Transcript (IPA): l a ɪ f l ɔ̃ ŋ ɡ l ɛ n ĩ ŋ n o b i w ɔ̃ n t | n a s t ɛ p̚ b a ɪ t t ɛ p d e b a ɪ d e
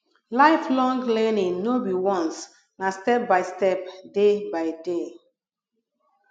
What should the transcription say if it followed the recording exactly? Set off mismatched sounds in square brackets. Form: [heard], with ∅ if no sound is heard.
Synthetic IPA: l a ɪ f l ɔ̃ ŋ ɡ l ɛ n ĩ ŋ n o b i w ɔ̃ n [s] | n a s t ɛ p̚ b a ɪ [s] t ɛ p d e b a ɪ d e